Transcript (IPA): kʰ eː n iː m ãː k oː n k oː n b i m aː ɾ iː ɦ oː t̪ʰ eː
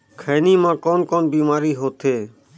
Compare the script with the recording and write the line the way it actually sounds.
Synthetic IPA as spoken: kʰ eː n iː m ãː k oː n k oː n b iː m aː ɾ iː ɦ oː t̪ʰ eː